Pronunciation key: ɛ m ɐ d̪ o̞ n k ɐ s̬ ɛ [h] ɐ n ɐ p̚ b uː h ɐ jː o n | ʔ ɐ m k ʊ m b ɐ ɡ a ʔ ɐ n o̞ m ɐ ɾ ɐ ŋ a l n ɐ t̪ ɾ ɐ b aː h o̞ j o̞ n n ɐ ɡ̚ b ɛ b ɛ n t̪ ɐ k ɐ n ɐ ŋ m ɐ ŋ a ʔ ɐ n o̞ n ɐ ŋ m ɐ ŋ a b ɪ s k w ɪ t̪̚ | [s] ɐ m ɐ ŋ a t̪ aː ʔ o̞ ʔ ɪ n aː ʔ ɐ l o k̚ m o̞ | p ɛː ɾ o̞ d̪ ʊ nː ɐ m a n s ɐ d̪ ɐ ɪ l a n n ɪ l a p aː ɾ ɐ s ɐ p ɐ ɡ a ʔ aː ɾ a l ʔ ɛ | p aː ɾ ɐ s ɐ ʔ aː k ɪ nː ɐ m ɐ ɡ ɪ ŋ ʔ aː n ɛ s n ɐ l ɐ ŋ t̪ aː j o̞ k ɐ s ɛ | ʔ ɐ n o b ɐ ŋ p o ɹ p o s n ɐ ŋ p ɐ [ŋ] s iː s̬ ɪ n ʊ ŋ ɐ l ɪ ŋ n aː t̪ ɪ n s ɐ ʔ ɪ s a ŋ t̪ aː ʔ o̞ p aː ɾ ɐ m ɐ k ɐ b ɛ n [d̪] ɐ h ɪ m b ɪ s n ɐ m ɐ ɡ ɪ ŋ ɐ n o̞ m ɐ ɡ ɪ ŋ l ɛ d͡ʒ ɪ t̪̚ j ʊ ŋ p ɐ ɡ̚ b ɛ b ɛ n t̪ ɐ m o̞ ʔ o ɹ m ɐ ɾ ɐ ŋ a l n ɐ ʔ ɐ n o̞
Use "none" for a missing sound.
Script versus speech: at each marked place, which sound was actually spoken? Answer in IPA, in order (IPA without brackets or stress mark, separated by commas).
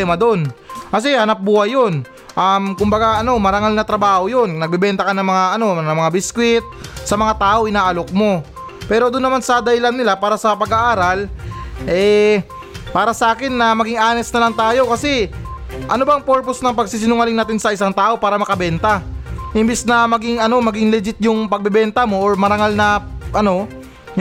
h, s, ɡ, t̪